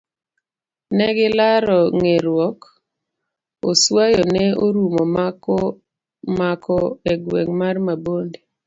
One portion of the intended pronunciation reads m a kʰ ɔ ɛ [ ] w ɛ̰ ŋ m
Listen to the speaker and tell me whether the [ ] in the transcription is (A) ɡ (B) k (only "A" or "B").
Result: A